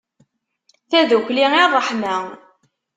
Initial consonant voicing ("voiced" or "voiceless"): voiceless